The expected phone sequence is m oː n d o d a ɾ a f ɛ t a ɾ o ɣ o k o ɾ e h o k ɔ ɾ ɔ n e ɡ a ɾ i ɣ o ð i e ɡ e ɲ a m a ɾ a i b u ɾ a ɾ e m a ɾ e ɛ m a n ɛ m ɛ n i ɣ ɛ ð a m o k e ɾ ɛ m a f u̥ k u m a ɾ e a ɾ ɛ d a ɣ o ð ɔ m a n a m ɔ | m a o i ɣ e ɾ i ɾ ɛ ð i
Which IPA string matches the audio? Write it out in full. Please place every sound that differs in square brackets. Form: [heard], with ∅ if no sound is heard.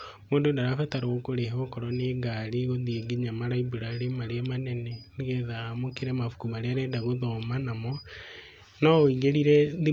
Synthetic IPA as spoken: m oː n d o d a ɾ a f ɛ t a ɾ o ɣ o k o ɾ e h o k ɔ ɾ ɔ n e ɡ a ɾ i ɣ o ð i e ɡ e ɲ a m a ɾ a i b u ɾ a ɾ e m a ɾ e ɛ m a n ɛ [n] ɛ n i ɣ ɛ ð a m o k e ɾ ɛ m a f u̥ k u m a ɾ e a ɾ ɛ d a ɣ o ð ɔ m a n a m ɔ | [n] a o i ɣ e ɾ i ɾ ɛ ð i